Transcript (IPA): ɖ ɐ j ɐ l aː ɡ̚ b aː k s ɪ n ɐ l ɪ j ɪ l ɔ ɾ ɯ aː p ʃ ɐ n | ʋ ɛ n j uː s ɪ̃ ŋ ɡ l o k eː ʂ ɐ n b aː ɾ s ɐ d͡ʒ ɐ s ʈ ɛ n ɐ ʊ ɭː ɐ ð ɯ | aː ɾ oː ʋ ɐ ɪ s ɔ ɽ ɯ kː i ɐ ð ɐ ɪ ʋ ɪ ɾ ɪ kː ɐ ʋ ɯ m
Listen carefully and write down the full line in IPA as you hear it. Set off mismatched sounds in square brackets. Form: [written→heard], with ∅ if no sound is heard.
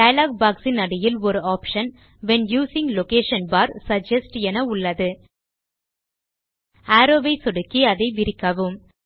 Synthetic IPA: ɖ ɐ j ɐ l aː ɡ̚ b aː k s ɪ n ɐ [l→ɽ] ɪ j ɪ l ɔ ɾ ɯ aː p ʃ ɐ n | ʋ ɛ n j uː s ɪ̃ ŋ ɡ l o k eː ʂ ɐ n b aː ɾ s ɐ d͡ʒ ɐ s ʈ ɛ n ɐ ʊ ɭː ɐ ð ɯ | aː ɾ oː ʋ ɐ ɪ s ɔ ɽ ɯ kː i ɐ ð ɐ ɪ ʋ ɪ ɾ ɪ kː ɐ ʋ ɯ m